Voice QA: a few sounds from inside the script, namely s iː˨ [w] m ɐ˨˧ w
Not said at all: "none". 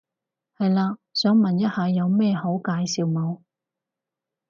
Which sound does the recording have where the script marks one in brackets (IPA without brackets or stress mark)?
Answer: w